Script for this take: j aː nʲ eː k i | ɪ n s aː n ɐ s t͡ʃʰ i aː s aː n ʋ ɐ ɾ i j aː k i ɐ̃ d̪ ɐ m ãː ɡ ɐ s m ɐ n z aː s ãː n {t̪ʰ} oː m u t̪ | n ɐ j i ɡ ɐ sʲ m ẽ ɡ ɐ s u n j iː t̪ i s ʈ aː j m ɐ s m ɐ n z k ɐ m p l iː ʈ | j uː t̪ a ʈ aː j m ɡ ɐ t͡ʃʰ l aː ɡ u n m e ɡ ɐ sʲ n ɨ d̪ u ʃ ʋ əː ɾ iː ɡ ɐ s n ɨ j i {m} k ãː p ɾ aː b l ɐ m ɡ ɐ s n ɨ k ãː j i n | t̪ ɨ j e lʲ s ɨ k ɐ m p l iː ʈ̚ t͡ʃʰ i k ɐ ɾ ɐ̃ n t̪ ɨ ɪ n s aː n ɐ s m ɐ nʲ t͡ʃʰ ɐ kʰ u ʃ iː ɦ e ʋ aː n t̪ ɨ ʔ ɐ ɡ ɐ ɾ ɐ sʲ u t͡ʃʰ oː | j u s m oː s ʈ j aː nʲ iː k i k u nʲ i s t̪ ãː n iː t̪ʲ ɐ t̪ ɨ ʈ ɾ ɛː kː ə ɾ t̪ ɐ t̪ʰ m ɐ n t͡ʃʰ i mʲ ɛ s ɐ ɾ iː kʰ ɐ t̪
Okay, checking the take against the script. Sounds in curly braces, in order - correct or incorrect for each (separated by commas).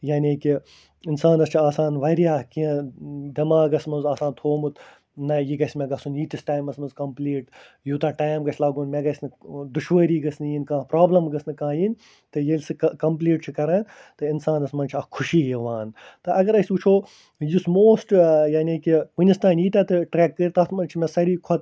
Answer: correct, incorrect